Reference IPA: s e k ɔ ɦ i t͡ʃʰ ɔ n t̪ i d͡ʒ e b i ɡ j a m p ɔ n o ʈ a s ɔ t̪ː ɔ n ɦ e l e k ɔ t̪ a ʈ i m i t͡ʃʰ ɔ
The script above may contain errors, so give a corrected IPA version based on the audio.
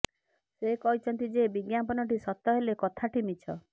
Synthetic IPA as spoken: s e k ɔ ɦ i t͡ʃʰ ɔ n t̪ i d͡ʒ e b i ɡ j a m p ɔ n ɔ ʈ i s ɔ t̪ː ɔ ɦ e l e k ɔ t̪ʰ a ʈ i m i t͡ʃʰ ɔ